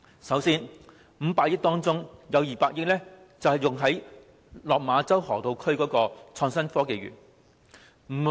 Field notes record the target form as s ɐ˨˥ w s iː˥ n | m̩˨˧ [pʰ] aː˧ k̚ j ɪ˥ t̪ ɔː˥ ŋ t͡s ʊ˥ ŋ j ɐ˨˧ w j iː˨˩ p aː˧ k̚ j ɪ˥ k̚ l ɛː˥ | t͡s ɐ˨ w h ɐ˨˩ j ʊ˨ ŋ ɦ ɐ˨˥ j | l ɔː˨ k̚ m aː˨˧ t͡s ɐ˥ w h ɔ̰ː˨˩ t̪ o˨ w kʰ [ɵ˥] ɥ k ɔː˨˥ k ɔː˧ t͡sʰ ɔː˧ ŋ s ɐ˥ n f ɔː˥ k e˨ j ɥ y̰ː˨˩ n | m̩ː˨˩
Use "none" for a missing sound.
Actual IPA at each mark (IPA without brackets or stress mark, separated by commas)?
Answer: p, ɵ˥